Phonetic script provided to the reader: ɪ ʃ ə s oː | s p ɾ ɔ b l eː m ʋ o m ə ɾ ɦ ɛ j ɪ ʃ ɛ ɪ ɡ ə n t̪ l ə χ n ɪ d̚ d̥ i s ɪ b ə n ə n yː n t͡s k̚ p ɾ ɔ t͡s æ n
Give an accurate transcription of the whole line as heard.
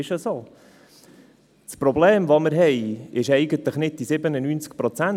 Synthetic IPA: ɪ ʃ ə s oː | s p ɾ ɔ b l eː m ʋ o m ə ɾ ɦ ɛ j ɪ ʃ ɛ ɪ ɡ ə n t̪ l ə χ n ɪ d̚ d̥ i s ɪ b ə n ə n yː n t͡s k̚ p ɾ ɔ t͡s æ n